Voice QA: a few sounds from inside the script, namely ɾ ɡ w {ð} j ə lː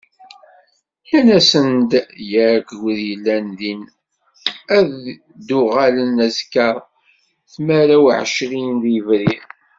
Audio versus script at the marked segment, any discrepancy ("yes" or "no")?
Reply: no